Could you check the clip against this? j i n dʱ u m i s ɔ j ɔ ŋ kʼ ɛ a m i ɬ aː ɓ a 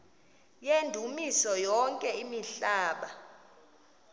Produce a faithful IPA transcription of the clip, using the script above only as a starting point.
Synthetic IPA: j e n dʱ u m i s ɔ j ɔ ŋ kʼ ɛ i m i ɬ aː ɓ a